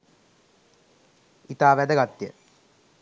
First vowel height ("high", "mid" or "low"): high